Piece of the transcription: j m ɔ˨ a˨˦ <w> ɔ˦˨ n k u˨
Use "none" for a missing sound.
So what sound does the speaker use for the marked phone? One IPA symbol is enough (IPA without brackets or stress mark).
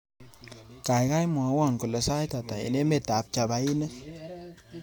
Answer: w